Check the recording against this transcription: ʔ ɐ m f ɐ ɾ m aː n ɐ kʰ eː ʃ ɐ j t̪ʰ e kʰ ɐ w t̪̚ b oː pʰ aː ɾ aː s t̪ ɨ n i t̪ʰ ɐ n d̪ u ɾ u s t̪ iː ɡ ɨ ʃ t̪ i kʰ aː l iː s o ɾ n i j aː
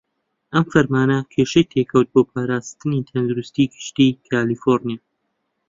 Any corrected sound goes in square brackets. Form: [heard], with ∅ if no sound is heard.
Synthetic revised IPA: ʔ ɐ m f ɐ ɾ m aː n ɐ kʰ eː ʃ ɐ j t̪ʰ e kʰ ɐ w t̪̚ b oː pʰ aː ɾ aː s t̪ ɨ n i t̪ʰ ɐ n d̪ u ɾ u s t̪ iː ɡ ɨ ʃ t̪ i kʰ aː l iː [f] o ɾ n i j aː